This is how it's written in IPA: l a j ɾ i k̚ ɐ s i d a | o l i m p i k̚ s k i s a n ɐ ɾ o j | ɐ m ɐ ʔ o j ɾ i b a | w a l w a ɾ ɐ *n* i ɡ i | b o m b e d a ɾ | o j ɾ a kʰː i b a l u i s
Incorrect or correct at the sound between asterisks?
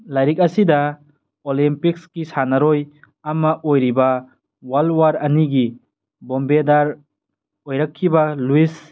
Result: correct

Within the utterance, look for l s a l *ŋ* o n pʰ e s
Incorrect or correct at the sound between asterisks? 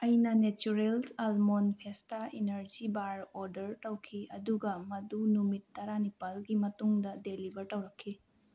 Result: incorrect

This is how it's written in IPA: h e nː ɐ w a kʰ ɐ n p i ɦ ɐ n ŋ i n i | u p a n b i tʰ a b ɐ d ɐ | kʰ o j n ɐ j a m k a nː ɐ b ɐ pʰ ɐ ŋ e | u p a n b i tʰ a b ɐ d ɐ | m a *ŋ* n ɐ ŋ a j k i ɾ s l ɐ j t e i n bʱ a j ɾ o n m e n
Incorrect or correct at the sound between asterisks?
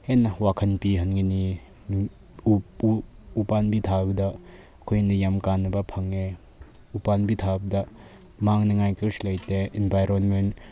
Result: correct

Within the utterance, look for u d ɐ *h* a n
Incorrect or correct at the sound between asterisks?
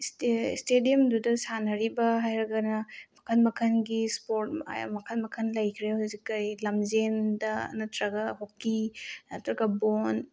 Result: incorrect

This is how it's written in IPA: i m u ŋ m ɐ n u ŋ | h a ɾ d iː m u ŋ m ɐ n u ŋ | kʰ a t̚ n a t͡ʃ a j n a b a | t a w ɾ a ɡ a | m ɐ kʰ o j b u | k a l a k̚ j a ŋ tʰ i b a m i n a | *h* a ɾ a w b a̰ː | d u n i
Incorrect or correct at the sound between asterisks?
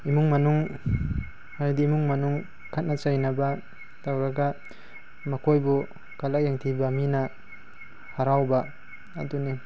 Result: correct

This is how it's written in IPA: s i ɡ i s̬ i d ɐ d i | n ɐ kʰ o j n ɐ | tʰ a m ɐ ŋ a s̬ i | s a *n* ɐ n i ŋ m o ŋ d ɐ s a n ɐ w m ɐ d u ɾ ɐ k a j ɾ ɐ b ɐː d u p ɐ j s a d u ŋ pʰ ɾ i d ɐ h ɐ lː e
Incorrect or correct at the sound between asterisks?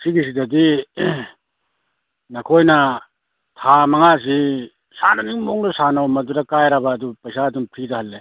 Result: correct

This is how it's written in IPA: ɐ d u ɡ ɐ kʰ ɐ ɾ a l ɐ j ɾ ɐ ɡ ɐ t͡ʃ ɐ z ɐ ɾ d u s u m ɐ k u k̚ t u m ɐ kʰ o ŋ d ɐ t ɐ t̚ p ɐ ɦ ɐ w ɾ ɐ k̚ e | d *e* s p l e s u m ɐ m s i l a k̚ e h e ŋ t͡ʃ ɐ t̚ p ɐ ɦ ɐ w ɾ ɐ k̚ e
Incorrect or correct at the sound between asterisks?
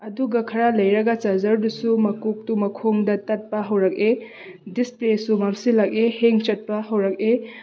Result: incorrect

